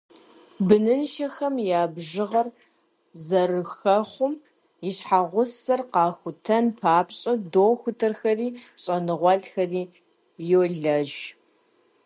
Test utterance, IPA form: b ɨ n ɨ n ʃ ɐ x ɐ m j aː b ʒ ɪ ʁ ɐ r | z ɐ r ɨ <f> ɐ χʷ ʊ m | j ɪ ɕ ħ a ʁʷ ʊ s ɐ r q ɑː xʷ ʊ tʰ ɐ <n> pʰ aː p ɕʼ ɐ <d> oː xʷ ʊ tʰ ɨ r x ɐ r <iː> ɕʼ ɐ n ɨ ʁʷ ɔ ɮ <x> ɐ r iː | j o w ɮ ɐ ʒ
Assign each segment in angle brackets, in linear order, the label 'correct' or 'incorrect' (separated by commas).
incorrect, correct, correct, correct, correct